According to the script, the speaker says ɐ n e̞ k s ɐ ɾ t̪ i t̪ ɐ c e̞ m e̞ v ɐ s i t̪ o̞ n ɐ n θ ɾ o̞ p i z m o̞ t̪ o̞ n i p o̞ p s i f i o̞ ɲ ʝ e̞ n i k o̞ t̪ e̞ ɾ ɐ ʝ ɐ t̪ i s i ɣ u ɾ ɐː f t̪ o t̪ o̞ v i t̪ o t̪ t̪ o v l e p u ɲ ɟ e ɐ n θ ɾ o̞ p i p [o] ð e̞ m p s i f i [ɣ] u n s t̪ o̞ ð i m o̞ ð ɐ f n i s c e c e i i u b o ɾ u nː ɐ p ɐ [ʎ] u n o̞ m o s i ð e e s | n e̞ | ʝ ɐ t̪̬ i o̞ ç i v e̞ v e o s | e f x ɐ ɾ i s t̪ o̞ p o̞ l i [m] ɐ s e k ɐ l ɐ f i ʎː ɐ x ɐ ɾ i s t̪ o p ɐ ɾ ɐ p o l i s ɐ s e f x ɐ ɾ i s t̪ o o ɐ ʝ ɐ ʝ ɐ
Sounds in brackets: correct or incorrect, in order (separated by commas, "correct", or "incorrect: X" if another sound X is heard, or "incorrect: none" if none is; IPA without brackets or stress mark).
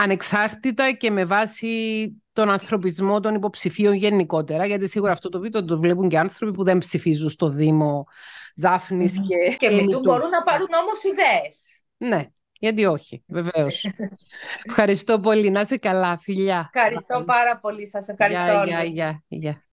incorrect: u, incorrect: z, incorrect: ɾ, incorrect: n